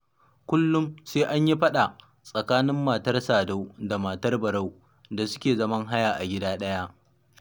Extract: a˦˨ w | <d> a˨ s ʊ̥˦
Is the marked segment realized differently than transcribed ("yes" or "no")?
no